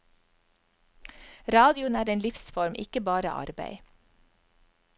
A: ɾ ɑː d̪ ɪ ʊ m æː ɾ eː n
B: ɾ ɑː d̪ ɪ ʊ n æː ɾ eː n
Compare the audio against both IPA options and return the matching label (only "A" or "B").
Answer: B